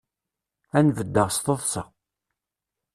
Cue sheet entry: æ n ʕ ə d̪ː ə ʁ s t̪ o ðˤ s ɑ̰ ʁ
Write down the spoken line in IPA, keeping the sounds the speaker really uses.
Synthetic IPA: æ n v ə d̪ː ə ʁ s t̪ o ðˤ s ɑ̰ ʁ